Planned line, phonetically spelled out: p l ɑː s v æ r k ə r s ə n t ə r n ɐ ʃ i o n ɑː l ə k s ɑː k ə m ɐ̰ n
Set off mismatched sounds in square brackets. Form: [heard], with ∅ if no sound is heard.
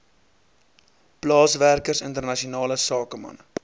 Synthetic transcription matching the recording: p l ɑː s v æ r k ə r s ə n t ə r n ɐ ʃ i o n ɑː l ə [∅] s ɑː k ə m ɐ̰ n